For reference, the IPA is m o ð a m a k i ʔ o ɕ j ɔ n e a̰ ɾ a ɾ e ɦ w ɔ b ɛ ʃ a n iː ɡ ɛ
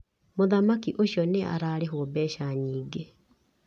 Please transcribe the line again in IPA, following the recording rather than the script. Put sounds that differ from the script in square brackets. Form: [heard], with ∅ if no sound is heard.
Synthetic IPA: m o ð a m a k i ʔ o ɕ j ɔ n e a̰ ɾ a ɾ e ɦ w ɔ b ɛ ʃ a [ɲ] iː ɡ [e]